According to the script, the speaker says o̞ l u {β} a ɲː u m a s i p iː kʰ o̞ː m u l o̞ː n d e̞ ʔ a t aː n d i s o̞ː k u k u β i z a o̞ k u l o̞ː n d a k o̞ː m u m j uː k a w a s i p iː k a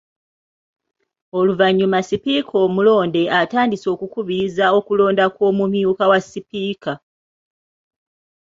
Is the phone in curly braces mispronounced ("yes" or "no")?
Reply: yes